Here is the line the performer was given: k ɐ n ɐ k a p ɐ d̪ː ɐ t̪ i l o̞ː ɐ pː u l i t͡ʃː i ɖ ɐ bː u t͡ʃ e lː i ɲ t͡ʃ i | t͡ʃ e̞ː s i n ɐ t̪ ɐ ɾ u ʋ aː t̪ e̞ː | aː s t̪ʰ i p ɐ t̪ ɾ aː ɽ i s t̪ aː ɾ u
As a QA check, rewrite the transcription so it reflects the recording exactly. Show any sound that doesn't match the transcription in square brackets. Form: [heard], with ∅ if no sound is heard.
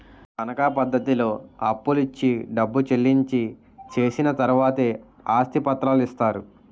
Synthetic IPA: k ɐ n ɐ k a p ɐ d̪ː ɐ t̪ i l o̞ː ɐ pː u l i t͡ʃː i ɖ ɐ bː u t͡ʃ e lː i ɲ t͡ʃ i | t͡ʃ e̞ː s i n ɐ t̪ ɐ ɾ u ʋ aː t̪ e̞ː | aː s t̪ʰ i p ɐ t̪ ɾ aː [l] i s t̪ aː ɾ u